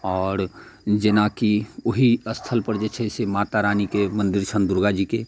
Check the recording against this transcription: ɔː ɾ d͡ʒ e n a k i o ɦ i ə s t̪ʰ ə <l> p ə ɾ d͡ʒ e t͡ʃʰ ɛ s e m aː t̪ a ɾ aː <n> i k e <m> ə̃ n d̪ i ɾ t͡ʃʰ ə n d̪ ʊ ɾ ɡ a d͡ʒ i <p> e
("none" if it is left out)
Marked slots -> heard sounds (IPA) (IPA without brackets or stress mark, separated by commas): l, n, m, k